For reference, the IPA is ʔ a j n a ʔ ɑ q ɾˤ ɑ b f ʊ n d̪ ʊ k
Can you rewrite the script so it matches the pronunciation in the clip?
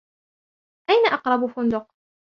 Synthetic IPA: ʔ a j n a ʔ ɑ q ɾˤ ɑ b f ʊ n d̪ ʊ q